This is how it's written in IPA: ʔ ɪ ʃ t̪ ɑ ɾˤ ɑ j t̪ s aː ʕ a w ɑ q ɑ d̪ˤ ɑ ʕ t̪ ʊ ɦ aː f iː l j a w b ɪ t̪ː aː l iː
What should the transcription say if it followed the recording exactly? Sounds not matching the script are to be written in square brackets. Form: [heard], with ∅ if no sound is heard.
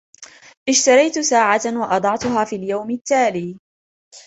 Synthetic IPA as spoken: ʔ ɪ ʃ t̪ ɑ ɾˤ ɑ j t̪ s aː ʕ a w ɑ [ʔ] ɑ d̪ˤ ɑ ʕ t̪ ʊ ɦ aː f iː l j a w [m] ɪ t̪ː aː l iː